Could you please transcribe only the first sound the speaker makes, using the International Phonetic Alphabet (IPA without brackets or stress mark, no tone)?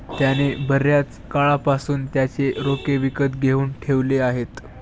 t̪